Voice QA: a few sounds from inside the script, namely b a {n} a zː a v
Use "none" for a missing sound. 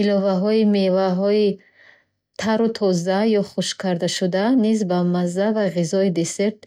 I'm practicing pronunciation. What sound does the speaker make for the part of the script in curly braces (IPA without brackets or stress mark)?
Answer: m